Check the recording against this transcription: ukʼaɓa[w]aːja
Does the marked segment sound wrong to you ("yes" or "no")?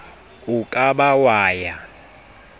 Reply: no